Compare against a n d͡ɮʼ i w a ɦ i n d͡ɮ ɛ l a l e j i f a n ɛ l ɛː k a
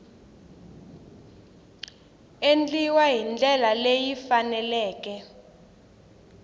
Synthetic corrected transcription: e n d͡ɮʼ i w a ɦ i n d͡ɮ ɛ l a l e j i f a n ɛ l ɛː k ɛ